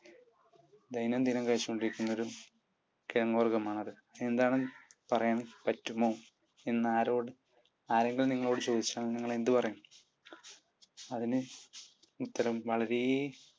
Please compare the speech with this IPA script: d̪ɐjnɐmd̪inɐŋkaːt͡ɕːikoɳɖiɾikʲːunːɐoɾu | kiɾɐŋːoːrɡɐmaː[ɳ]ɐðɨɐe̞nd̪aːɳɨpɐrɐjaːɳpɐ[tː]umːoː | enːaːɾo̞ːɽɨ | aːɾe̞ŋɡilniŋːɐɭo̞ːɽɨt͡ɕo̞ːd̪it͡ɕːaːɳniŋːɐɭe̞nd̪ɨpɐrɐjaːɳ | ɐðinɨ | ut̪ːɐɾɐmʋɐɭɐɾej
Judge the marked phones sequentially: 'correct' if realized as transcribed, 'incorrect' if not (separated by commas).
correct, correct